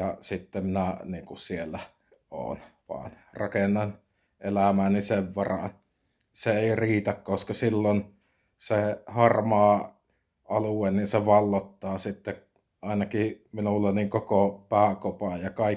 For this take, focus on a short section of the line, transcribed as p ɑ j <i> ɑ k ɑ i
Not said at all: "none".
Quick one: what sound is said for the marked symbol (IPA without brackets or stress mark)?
j